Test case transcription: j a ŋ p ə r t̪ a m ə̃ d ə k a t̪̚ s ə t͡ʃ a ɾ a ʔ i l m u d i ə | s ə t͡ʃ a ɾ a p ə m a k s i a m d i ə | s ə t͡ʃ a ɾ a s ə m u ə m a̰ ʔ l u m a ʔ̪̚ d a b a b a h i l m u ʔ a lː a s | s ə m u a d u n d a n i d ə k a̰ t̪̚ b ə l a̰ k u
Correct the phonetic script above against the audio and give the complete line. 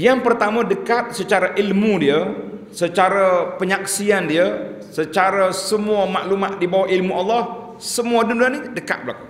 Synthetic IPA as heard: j a ŋ p ə r t̪ a m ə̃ d ə k a t̪̚ s ə t͡ʃ a ɾ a ʔ i l m u d i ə | s ə t͡ʃ a ɾ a p ə ɲ a k s i a n d i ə | s ə t͡ʃ a ɾ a s ə m u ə m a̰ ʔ l u m a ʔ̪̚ d i b a w a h i l m u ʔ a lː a h | s ə m u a d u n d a n i d ə k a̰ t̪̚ b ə l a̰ k u